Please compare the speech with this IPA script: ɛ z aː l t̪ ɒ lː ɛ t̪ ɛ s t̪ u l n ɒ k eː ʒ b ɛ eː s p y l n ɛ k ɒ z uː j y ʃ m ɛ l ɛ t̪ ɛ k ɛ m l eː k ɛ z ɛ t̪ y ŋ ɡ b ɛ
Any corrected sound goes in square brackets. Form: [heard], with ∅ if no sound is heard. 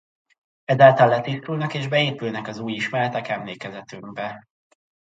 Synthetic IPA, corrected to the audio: ɛ z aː l t̪ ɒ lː ɛ t̪ [i] s t̪ u l n ɒ k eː ʒ b ɛ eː [∅] p y l n ɛ k ɒ z uː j [i] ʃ m ɛ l ɛ t̪ ɛ k ɛ m l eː k ɛ z ɛ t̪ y ŋ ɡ b ɛ